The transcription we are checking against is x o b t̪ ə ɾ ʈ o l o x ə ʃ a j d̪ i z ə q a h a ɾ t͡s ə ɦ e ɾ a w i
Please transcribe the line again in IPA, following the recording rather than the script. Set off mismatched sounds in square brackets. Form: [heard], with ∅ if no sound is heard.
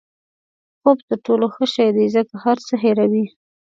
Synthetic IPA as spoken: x o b t̪ ə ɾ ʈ o l o x ə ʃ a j d̪ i z ə [k] a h a ɾ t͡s ə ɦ e ɾ a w i